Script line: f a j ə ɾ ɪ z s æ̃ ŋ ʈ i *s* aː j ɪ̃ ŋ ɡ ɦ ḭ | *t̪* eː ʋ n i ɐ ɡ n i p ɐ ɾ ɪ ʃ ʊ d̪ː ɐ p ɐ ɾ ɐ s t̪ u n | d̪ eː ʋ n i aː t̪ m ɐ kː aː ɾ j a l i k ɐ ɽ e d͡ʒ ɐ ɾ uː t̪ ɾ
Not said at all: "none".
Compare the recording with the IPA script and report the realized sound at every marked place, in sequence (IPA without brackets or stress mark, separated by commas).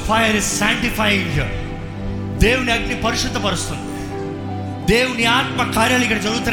f, d̪